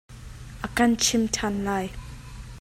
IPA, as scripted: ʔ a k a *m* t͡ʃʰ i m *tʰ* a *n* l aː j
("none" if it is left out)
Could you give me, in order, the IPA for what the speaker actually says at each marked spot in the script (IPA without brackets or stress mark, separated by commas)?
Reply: n, tʰ, n